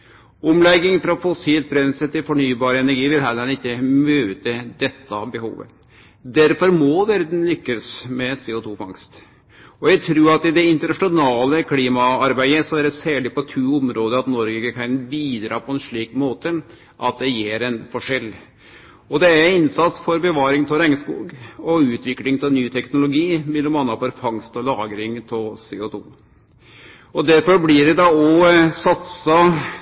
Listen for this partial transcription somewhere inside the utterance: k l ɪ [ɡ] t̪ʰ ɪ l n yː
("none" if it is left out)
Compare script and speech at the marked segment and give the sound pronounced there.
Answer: ŋ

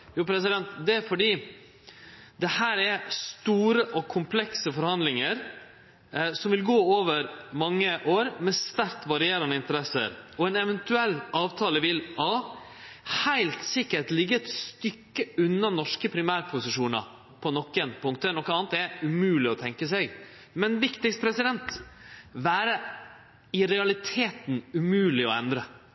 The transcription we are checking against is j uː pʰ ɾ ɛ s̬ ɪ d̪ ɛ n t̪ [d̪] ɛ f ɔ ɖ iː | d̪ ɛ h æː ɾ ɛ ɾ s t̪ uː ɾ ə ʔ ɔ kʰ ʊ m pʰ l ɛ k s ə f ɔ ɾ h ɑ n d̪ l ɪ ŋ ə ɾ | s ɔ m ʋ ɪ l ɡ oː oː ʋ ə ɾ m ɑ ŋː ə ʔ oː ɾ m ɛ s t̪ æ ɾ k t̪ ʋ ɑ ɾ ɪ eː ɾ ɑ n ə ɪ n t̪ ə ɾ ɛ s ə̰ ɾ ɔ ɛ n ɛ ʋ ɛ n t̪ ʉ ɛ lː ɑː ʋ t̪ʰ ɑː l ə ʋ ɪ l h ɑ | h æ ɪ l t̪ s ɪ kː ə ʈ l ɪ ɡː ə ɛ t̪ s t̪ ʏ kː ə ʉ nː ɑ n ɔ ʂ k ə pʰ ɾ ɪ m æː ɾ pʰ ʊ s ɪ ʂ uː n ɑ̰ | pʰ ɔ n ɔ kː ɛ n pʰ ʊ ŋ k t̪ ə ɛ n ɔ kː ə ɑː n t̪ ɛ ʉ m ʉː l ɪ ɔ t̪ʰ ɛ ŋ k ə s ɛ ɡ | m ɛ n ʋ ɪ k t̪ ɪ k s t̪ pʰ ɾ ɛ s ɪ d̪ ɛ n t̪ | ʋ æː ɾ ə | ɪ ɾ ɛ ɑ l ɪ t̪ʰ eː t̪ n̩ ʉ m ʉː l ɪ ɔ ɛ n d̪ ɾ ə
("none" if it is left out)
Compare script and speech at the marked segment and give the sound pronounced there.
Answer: d̪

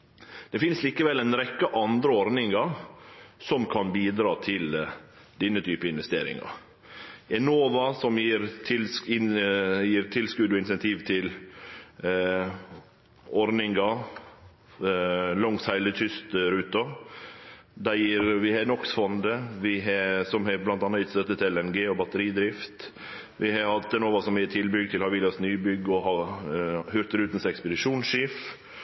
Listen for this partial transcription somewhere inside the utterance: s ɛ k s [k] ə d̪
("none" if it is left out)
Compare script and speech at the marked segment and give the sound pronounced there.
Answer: p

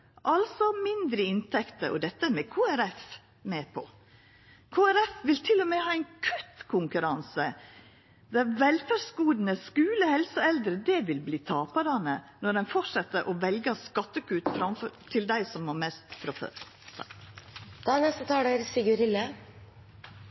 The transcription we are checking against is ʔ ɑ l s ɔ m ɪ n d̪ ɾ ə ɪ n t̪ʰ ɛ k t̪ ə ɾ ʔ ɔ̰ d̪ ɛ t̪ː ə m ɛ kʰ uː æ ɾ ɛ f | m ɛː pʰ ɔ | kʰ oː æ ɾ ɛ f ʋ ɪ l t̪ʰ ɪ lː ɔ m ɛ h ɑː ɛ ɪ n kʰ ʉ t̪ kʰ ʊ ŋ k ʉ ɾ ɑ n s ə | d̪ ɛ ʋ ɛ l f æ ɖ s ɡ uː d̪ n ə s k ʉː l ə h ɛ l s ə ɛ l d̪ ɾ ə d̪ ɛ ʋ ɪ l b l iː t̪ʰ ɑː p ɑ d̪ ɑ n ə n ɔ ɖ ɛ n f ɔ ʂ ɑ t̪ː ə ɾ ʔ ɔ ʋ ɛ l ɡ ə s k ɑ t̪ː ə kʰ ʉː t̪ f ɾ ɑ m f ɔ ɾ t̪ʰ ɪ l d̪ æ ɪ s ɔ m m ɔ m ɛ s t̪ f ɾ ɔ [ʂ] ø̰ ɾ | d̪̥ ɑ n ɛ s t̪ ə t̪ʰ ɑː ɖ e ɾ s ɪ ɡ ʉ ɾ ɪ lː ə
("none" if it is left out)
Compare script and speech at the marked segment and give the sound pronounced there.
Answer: f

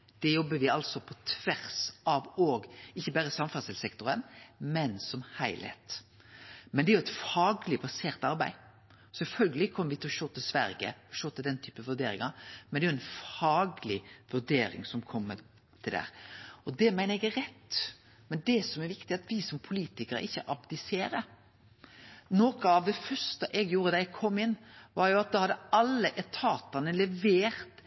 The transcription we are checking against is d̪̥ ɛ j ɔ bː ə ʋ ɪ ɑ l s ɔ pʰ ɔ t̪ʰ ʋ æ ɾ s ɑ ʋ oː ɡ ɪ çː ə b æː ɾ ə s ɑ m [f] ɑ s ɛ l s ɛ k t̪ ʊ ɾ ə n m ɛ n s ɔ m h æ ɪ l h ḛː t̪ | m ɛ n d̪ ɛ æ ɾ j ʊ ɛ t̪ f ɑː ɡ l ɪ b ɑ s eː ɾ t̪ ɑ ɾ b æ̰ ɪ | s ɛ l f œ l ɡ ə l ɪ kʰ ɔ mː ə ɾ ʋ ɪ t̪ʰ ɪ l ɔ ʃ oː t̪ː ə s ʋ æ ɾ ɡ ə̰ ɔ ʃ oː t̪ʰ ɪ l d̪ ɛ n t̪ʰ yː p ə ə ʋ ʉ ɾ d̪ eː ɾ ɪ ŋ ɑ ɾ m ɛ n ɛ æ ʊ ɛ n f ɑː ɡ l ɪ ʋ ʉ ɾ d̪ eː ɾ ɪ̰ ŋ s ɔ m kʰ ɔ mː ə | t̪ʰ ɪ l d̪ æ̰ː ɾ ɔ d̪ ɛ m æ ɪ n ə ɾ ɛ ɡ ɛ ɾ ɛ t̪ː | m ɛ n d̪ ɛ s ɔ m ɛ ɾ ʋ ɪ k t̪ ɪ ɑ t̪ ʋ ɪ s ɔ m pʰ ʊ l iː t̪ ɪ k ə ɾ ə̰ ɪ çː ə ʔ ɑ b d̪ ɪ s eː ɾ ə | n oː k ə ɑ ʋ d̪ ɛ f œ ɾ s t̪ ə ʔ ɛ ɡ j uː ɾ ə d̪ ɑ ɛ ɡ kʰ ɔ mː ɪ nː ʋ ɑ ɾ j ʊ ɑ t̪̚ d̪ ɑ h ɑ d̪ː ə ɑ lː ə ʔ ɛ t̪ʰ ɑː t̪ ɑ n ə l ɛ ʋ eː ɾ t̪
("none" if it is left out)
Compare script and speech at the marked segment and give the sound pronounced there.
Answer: f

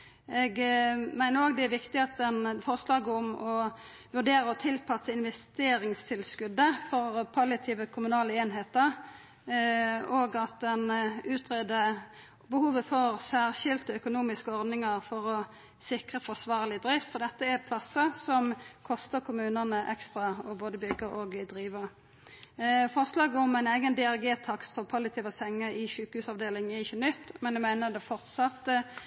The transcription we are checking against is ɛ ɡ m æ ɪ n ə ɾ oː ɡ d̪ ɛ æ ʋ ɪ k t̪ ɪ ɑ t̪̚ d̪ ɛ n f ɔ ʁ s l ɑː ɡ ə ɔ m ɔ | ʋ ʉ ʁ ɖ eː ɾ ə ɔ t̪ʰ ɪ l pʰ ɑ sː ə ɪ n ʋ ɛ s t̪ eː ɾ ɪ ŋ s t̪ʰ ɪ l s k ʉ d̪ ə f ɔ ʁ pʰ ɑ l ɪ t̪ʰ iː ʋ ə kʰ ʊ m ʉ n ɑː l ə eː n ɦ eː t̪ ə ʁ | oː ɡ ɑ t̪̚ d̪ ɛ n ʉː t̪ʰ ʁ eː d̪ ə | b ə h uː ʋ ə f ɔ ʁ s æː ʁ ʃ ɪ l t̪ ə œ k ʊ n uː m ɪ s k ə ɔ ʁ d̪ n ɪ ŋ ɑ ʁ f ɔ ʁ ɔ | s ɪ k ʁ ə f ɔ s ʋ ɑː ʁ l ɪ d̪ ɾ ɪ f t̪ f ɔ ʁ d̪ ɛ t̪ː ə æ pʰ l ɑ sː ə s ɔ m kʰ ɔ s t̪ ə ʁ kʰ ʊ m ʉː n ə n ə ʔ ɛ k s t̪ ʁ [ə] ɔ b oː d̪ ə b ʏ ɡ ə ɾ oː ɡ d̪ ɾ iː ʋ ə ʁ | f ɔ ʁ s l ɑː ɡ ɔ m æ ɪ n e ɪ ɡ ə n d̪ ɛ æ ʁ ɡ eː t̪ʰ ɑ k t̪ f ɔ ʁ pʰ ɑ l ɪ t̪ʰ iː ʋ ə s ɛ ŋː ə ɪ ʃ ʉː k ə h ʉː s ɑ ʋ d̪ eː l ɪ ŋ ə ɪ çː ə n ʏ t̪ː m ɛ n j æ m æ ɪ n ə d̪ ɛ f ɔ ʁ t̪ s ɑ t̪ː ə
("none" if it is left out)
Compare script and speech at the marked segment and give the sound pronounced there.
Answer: ɑ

